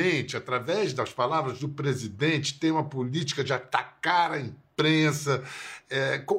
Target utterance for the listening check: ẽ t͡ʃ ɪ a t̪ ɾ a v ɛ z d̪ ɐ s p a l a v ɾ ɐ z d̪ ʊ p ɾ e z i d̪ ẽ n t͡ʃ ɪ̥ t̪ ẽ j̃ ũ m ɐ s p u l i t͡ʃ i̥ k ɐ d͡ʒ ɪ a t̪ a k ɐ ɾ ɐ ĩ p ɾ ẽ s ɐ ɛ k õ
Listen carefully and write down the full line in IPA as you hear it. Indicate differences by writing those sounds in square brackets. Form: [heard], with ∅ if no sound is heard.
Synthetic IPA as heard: ẽ t͡ʃ ɪ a t̪ ɾ a v ɛ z d̪ ɐ s p a l a v ɾ ɐ z d̪ ʊ p ɾ e z i d̪ ẽ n t͡ʃ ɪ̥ t̪ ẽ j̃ ũ m ɐ [∅] p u l i t͡ʃ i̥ k ɐ d͡ʒ ɪ a t̪ a k [a] ɾ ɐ ĩ p ɾ ẽ s ɐ ɛ k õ